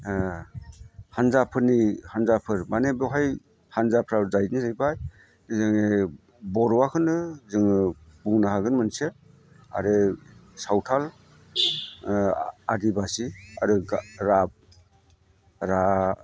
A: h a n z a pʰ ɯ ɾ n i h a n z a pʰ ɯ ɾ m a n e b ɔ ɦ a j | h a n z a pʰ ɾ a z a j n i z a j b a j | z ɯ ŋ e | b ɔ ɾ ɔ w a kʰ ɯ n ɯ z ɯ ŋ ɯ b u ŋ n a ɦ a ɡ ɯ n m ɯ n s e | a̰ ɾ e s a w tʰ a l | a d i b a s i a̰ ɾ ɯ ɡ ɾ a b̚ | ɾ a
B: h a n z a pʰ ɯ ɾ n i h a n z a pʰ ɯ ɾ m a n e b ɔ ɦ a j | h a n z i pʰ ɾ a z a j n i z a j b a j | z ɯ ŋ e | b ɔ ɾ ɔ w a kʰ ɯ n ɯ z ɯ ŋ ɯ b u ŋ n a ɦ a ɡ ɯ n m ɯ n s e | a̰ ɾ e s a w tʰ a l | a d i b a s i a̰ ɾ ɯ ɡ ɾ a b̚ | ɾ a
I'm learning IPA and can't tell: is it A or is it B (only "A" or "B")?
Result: A